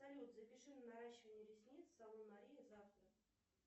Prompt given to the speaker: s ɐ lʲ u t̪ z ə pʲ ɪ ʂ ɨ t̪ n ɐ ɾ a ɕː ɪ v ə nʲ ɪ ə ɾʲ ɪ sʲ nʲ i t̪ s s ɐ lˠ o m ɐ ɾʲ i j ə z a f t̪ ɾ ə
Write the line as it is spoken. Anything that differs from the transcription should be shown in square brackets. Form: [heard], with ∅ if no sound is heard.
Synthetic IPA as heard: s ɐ lʲ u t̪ z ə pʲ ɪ ʂ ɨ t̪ n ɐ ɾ a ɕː ɪ v ə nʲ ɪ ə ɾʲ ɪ sʲ nʲ i t̪ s s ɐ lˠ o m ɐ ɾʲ i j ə z a f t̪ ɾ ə